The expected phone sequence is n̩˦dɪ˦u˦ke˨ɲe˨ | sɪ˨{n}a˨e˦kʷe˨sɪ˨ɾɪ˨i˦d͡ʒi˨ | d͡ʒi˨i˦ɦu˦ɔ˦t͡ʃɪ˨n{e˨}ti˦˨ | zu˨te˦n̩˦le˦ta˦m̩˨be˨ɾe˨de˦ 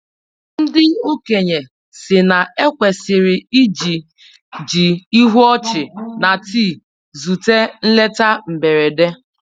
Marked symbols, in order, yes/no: yes, no

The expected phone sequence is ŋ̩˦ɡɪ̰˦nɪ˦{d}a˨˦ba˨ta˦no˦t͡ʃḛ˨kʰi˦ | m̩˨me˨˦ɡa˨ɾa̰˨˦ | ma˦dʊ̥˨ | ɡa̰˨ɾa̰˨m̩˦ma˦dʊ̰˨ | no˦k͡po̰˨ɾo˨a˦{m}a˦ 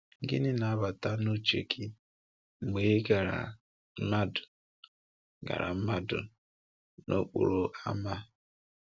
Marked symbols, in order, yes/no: no, yes

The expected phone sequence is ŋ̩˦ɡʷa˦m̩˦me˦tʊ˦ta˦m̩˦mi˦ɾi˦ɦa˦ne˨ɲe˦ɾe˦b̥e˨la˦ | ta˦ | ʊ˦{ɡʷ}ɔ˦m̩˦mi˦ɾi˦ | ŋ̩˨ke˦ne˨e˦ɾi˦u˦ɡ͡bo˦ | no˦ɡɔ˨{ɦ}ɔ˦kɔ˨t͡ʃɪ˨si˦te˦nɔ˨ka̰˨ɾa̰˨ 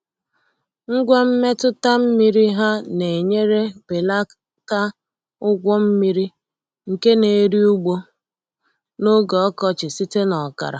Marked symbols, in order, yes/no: yes, no

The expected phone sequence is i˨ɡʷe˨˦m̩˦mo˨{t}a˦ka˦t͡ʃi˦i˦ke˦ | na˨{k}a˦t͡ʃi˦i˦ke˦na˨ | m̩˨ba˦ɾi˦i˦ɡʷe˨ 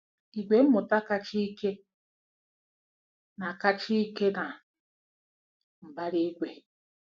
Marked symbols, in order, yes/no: yes, yes

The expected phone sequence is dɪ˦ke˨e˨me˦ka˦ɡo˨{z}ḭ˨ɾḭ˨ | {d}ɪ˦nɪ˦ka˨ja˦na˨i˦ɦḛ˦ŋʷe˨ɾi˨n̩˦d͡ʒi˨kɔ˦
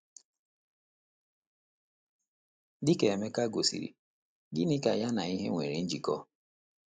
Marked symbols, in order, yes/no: no, no

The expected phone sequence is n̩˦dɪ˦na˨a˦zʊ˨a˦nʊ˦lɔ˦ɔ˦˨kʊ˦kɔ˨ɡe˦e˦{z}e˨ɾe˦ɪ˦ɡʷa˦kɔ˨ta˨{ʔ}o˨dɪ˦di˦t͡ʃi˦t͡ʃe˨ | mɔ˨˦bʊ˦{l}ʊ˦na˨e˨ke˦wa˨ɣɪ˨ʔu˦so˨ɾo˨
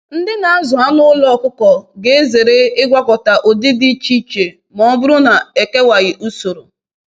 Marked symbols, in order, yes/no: yes, yes, no

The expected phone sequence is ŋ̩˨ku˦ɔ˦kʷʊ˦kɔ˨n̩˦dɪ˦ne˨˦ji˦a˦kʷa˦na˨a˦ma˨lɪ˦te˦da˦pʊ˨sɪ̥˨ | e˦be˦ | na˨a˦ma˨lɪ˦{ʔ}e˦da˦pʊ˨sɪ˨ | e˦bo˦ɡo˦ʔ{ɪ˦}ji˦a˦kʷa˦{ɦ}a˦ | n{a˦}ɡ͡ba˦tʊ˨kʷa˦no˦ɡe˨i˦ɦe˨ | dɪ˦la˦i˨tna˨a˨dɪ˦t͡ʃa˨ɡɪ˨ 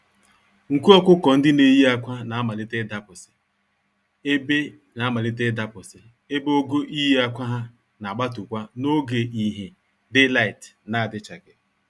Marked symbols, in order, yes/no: no, no, yes, no

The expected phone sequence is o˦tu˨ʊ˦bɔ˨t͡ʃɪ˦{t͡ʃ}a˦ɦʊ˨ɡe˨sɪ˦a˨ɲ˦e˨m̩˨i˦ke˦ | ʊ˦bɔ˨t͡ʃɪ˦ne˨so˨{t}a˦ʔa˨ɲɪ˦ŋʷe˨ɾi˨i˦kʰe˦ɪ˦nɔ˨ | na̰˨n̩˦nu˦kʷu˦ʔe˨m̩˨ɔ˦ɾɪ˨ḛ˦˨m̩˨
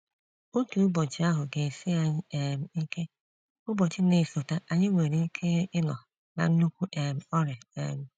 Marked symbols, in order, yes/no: no, yes

